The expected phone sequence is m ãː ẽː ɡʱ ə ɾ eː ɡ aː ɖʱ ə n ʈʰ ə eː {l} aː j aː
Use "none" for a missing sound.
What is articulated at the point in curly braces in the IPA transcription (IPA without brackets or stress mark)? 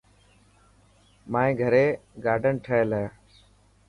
l